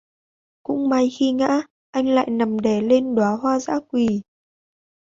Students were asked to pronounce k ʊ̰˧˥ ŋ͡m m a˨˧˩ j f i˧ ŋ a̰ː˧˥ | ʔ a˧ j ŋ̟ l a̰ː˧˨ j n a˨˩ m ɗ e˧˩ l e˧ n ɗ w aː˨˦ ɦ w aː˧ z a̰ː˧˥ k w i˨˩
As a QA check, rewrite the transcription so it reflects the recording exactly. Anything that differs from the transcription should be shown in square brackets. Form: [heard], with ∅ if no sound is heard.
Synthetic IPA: k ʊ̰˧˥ ŋ͡m m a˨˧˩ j [x] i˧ ŋ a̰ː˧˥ | ʔ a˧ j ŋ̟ l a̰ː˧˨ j n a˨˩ m ɗ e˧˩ l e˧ n ɗ w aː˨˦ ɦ w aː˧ z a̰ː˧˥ k w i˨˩